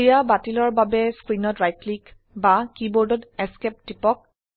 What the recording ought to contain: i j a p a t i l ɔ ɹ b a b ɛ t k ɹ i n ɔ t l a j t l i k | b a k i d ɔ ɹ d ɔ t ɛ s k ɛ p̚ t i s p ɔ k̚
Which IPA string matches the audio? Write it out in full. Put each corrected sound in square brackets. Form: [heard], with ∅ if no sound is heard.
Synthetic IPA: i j a [b] a t i l ɔ ɹ b a b ɛ [s] k ɹ i n ɔ t [ɹ] a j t l i k | b a k i [b] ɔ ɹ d ɔ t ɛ s k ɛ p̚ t i [∅] p ɔ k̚